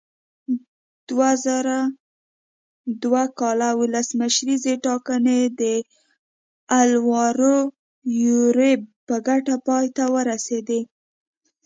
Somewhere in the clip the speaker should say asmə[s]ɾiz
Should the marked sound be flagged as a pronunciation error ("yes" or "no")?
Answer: yes